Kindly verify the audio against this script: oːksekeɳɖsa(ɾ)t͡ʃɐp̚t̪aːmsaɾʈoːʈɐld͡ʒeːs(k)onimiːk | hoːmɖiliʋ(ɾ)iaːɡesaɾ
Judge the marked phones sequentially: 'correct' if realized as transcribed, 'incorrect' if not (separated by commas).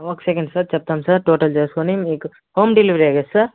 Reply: correct, correct, correct